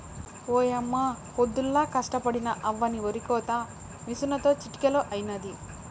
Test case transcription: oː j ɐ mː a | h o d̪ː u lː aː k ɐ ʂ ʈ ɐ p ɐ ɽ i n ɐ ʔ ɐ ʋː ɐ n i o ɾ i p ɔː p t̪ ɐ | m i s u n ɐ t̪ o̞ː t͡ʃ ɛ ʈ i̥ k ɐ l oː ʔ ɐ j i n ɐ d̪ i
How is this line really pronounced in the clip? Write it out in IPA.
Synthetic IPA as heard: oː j ɐ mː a | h o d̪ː u lː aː k ɐ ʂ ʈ ɐ p ɐ ɽ i n ɐ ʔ ɐ ʋː ɐ n i o ɾ i k ɔː t̪ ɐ | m i s u n ɐ t̪ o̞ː t͡ʃ i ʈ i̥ k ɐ l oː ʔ ɐ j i n ɐ d̪ i